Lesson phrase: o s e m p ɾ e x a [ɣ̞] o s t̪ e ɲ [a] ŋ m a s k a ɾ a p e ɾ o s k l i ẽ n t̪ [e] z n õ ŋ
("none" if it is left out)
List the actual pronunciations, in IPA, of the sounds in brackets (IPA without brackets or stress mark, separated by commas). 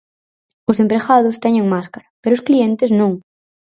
ð̞, e, e